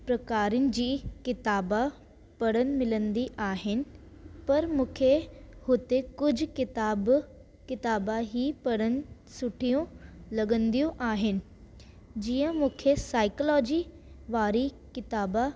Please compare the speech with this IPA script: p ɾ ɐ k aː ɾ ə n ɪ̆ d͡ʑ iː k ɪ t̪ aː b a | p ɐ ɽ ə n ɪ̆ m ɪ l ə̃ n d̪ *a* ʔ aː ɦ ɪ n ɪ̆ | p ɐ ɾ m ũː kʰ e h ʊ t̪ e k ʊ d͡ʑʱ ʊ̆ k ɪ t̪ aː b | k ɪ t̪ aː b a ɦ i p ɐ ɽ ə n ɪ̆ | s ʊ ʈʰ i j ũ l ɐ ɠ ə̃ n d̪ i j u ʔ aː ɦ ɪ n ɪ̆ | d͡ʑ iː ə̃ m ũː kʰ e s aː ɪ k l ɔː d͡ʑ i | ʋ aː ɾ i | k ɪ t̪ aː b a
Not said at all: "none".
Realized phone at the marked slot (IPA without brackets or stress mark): i